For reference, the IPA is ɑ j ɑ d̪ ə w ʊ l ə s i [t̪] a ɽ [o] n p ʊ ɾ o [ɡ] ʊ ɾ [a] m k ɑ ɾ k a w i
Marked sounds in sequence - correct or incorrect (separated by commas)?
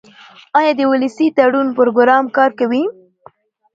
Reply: correct, incorrect, correct, incorrect